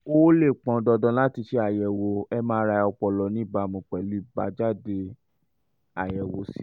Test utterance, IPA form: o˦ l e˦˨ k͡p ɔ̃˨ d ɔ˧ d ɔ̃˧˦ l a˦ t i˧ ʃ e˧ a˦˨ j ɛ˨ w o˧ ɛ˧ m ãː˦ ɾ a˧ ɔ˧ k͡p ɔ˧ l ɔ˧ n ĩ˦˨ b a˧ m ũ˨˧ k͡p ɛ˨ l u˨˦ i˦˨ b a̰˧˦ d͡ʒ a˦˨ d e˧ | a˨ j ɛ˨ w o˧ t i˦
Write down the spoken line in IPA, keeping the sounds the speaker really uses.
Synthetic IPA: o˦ l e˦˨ k͡p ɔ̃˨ d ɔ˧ d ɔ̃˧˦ l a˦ t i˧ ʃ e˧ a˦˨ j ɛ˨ w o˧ ɛ˧ m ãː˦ ɾ a˧ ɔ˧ k͡p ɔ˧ l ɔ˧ n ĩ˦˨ b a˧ m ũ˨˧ k͡p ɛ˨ l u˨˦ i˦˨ b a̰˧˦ d͡ʒ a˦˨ d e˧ | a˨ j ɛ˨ w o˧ s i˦